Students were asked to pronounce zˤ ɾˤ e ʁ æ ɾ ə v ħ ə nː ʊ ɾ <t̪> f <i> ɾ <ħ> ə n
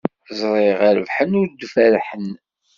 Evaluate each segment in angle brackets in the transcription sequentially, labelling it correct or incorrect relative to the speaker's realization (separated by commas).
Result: incorrect, incorrect, correct